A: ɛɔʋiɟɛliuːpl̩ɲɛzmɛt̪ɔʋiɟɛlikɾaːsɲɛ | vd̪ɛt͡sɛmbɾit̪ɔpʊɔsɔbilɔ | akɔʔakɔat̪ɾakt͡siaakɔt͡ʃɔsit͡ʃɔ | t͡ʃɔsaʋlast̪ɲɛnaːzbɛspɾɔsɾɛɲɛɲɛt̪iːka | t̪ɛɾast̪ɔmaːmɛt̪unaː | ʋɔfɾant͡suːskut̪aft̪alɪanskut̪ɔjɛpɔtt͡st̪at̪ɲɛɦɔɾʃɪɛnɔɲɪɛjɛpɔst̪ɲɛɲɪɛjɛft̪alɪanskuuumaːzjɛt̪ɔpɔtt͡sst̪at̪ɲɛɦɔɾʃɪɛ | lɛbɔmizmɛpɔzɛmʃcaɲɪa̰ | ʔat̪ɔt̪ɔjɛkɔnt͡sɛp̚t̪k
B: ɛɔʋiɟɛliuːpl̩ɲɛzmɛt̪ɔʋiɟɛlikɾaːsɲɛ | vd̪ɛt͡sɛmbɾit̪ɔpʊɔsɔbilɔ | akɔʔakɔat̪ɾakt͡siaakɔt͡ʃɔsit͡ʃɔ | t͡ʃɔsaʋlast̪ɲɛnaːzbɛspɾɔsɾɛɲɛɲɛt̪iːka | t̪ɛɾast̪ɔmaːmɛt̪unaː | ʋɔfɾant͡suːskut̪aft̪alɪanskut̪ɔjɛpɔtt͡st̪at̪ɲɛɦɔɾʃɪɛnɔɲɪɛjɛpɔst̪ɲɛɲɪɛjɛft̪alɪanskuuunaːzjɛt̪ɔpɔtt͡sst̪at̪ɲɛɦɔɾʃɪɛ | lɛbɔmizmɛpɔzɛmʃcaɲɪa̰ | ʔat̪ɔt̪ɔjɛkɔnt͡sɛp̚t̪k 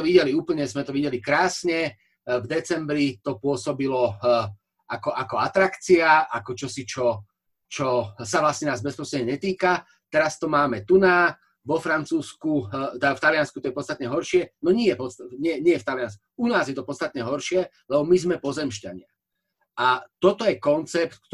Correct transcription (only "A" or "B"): B